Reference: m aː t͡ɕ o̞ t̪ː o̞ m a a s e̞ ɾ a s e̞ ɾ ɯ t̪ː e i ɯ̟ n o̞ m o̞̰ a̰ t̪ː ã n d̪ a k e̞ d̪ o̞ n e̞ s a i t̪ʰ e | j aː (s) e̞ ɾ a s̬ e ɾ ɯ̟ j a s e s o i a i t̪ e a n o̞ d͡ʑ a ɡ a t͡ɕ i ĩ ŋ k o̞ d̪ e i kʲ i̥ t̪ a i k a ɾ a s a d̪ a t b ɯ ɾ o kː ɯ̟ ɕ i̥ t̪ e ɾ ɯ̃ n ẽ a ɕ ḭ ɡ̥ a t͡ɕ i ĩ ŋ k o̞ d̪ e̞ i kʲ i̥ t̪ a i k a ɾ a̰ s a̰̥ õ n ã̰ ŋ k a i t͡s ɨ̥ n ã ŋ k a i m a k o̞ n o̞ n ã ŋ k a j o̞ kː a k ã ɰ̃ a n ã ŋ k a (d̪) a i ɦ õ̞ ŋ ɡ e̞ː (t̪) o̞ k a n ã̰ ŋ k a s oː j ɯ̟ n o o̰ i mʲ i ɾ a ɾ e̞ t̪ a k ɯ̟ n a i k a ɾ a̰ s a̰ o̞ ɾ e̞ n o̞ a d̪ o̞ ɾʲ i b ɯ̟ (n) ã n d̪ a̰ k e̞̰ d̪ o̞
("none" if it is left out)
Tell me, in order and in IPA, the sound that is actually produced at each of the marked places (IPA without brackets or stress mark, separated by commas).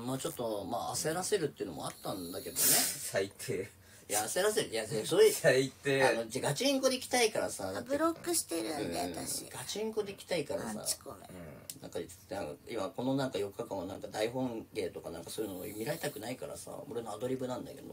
s, d̪, t̪, n